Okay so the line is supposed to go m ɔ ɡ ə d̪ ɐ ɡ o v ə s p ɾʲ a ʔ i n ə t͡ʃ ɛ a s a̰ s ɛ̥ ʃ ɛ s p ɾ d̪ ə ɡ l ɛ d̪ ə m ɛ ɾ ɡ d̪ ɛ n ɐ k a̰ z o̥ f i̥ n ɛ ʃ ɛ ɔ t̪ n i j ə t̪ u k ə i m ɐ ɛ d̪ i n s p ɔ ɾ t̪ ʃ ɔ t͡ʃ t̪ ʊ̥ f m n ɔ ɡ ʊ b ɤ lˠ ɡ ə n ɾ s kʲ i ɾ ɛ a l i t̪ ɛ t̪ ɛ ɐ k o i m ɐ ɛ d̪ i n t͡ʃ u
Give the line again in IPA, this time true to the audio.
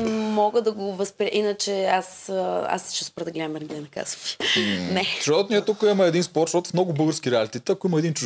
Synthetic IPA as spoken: m ɔ ɡ ə d̪ ɐ ɡ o v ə s p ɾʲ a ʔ i n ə t͡ʃ ɛ a s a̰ s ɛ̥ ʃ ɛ s p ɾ d̪ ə ɡ l ɛ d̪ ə m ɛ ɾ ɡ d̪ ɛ n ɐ k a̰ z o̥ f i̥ n ɛ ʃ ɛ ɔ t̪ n i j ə t̪ u k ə i m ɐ ɛ d̪ i n s p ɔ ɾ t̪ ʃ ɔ t̪ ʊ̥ f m n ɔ ɡ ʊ b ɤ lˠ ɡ ə ɾ s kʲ i ɾ ɛ a l i t̪ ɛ t̪ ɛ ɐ k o i m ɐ ɛ d̪ i n t͡ʃ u